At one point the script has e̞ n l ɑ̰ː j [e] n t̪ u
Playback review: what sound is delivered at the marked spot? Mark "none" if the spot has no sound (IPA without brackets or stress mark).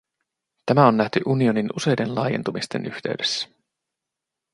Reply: e